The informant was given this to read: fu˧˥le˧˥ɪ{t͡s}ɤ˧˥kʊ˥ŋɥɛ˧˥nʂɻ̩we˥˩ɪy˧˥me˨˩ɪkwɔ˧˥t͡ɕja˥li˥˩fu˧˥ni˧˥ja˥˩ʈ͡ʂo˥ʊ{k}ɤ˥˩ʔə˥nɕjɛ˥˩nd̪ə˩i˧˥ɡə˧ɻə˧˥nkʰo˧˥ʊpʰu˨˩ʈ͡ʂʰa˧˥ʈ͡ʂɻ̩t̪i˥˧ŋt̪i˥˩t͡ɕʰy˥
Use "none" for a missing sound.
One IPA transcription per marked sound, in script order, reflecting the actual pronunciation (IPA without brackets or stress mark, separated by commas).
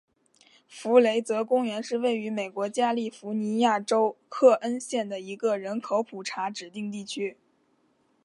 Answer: t͡s, kʰ